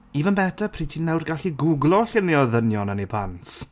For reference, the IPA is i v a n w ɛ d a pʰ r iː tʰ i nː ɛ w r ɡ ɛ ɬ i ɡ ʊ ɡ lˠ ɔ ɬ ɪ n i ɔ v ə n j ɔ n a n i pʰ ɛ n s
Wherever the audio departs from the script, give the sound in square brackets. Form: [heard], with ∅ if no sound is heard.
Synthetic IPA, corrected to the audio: i v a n [b] ɛ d a pʰ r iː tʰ i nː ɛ w r ɡ [a] ɬ i ɡ ʊ ɡ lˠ ɔ ɬ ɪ n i ɔ [ð] ə n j ɔ n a n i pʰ [a] n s